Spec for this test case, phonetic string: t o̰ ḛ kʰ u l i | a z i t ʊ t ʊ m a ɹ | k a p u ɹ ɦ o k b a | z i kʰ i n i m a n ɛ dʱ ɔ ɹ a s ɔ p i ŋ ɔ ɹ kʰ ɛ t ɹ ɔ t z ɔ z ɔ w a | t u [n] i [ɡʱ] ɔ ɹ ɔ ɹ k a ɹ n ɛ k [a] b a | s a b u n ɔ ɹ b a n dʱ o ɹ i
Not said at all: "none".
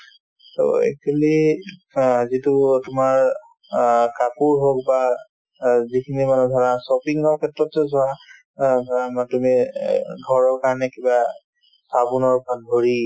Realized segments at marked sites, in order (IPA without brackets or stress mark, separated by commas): m, ɡʱ, i